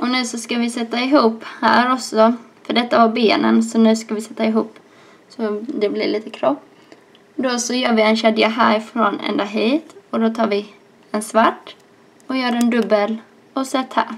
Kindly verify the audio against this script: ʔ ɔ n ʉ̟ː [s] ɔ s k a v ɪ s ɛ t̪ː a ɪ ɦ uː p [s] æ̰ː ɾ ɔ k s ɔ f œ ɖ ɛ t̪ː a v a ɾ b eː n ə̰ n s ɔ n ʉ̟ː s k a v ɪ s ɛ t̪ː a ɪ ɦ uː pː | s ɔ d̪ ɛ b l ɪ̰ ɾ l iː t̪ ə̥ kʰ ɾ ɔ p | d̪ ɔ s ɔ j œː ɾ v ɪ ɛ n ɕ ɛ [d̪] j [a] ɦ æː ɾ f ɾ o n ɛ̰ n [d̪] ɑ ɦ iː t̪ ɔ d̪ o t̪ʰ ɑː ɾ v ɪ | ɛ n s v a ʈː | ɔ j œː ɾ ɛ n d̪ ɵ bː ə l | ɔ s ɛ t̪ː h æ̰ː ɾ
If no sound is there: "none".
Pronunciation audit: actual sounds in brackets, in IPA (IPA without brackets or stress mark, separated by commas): s, h, d̪, a, d̪